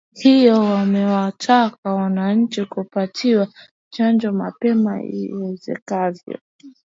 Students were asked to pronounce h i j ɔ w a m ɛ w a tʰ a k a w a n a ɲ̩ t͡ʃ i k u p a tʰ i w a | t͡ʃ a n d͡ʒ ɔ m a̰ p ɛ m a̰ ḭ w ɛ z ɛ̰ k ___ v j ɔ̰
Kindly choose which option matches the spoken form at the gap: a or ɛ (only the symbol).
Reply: a